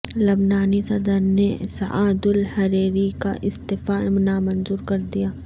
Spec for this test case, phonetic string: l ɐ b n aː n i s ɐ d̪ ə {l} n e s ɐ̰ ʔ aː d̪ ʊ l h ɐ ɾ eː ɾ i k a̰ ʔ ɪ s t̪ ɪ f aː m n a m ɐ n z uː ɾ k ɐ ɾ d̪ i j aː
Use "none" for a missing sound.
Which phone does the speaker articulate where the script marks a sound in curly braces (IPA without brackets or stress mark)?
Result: ɾ